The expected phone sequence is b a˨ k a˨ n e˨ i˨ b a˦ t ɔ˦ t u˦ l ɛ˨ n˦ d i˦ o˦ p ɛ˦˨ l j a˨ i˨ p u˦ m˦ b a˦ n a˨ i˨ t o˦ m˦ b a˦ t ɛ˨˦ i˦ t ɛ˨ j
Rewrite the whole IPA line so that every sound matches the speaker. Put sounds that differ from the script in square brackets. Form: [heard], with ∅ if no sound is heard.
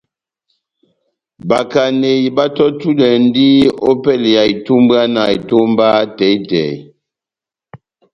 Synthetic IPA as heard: b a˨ k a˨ n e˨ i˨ b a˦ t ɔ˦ t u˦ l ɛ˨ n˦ d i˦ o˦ p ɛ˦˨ l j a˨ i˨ [t] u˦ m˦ b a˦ n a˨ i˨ t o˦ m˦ b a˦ t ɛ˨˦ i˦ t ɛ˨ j